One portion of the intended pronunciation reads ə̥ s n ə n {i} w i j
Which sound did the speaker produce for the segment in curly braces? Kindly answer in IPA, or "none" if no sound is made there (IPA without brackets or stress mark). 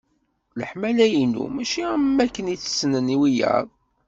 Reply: i